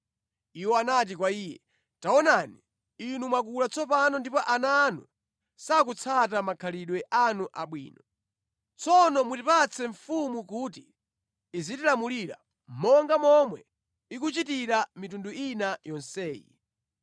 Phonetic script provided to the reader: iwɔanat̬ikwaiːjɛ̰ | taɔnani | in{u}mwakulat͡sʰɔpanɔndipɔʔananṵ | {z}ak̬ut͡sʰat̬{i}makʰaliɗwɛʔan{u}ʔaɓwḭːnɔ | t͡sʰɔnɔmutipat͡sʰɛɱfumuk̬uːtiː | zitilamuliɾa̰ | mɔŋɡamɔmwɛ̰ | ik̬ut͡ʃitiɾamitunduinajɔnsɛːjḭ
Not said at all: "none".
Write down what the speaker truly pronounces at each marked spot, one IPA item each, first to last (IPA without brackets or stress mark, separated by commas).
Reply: u, s, a, u